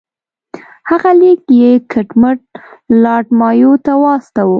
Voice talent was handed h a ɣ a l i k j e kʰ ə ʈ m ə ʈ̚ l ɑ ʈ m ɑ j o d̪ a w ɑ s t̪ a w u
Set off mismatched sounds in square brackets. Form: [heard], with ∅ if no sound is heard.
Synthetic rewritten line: h a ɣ a l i k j e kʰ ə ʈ m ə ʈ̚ l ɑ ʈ m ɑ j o [t̪] a w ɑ s t̪ a w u